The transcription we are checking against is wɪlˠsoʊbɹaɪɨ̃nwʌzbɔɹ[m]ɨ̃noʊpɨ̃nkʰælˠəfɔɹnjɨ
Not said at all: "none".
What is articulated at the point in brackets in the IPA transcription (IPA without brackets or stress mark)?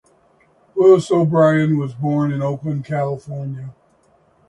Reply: n